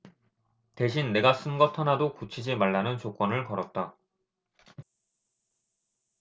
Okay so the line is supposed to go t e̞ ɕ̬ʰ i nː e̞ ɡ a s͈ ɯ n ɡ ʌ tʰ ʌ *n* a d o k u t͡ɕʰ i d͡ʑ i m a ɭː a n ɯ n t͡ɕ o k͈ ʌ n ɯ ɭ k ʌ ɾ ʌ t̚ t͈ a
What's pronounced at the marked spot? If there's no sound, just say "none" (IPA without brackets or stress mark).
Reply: n